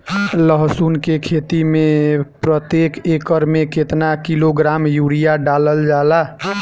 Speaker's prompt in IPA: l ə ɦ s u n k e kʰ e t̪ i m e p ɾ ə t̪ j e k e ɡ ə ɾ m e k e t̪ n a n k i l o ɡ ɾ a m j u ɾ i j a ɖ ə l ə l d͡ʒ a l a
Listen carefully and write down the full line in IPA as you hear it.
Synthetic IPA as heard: l ə ɦ s u n k e kʰ e t̪ i m e p ɾ ə t̪ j e k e k ə ɾ m e k e t̪ n a k i l o ɡ ɾ a m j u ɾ i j a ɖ a l ə l d͡ʒ a l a